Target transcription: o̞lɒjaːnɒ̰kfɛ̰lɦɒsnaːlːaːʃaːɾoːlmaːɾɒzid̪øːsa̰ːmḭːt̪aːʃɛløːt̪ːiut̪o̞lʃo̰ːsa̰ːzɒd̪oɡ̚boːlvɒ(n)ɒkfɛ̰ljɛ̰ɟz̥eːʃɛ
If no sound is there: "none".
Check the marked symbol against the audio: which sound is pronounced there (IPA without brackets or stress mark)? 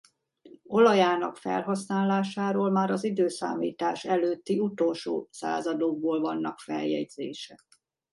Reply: nː